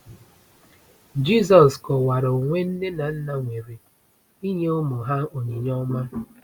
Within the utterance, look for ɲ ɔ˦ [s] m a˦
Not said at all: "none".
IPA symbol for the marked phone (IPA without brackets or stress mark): none